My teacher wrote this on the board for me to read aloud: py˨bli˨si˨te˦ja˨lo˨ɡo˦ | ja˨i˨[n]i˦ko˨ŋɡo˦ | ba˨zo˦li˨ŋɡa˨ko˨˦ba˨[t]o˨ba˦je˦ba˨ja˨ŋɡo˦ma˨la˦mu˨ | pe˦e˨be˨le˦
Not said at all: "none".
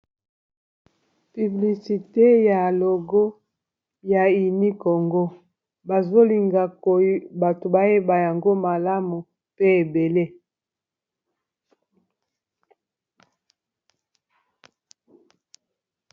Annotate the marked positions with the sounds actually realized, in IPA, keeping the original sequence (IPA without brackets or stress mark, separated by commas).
n, t